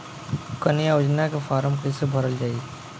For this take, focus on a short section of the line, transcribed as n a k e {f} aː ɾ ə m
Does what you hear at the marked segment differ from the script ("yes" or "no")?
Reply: no